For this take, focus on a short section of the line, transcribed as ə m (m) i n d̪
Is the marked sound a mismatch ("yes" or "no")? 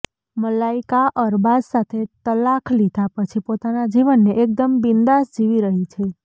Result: yes